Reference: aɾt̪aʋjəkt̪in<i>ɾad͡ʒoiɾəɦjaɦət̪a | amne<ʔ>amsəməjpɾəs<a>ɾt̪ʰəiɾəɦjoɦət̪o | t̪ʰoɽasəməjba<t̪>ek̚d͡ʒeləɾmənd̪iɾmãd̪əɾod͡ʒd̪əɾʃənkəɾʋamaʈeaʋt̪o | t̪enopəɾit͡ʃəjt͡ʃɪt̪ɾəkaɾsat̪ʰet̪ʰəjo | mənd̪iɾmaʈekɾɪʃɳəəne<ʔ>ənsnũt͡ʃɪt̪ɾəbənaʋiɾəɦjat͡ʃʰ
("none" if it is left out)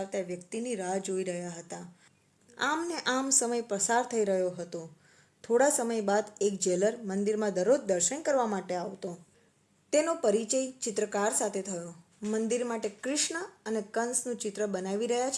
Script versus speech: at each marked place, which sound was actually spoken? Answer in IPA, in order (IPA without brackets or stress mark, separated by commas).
i, ʔ, a, d̪, k